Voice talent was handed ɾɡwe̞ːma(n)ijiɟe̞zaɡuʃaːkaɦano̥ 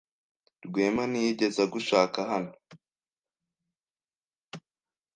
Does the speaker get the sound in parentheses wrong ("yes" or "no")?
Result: no